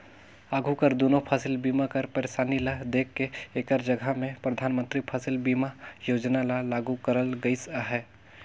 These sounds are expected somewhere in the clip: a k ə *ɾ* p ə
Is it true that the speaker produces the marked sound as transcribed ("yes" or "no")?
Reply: yes